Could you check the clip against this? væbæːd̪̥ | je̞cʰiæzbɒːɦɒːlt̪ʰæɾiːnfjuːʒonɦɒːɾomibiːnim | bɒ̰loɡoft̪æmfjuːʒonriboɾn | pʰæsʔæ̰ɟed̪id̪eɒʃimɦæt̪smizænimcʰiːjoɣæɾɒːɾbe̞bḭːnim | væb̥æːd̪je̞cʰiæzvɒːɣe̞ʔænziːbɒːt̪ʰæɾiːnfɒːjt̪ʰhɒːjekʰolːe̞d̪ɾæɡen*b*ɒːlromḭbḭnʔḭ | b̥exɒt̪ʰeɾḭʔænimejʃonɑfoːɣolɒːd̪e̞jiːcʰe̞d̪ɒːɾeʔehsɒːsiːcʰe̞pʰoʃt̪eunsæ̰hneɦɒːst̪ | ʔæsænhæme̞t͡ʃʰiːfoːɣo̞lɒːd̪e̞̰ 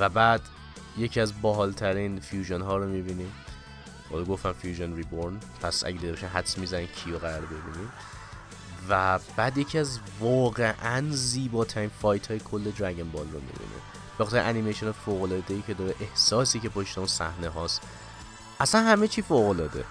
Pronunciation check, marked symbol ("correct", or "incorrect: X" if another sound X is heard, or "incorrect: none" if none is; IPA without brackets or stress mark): correct